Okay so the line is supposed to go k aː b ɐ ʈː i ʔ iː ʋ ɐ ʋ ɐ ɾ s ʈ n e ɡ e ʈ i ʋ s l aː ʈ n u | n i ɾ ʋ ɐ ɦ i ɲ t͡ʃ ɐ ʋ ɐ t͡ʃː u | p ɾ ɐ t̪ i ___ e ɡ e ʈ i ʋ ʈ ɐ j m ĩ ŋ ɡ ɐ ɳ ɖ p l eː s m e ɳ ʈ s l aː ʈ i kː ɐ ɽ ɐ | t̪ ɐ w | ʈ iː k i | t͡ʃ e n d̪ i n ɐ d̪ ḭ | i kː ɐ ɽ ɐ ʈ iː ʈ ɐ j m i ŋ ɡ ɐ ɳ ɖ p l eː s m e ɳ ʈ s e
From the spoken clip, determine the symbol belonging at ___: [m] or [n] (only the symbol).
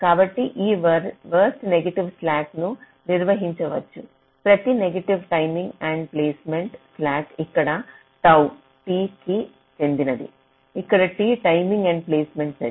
n